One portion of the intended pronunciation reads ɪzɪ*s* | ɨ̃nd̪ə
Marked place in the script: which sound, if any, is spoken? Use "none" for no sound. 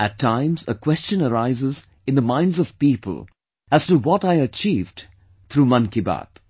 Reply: z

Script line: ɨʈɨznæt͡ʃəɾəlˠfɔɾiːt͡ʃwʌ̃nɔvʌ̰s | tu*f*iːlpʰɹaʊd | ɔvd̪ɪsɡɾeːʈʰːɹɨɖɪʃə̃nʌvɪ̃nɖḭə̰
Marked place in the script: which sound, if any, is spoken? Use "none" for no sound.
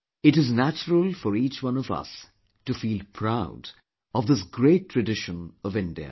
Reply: f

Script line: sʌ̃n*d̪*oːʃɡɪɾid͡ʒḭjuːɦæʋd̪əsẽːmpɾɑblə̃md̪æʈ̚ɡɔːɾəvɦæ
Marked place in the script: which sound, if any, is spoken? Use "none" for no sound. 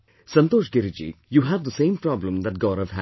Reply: t̪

